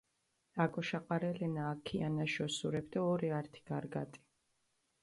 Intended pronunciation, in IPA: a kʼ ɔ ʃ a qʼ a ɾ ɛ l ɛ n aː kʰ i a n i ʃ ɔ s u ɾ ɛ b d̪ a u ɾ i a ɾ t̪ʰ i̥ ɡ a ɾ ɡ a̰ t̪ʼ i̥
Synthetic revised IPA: a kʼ ɔ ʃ a qʼ a ɾ ɛ l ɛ n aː kʰ i a n a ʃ ɔ s u ɾ ɛ b d̪ a ɔ ɾ i a ɾ t̪ʰ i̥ ɡ a ɾ ɡ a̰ t̪ʼ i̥